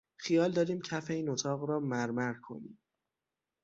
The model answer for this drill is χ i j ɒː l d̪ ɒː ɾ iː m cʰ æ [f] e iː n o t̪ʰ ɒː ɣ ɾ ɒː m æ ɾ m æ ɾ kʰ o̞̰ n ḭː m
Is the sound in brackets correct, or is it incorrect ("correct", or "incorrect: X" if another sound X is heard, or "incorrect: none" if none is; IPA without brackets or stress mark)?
correct